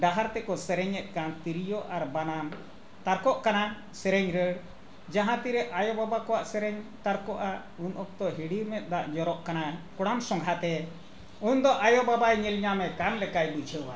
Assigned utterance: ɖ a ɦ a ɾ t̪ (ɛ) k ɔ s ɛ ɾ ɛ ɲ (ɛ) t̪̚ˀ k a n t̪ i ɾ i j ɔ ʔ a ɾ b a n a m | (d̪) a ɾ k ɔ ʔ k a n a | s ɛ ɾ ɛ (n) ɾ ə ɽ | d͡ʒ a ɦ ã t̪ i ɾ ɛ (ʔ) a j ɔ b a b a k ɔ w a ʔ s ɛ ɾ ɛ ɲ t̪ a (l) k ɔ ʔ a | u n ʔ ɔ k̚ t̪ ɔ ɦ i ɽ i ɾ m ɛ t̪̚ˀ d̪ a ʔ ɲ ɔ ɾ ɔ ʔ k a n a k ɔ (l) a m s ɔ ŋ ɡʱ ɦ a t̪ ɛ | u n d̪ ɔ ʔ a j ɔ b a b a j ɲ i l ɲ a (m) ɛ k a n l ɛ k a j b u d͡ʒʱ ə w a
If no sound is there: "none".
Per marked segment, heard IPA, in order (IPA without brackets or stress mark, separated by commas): ɛ, ɛ, t̪, ɲ, ʔ, ɾ, ɽ, m